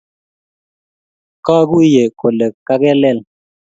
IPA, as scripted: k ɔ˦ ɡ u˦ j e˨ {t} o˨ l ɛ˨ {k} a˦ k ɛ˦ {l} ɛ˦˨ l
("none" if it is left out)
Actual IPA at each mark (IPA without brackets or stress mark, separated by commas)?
k, k, l